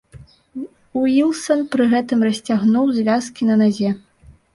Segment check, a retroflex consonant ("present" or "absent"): absent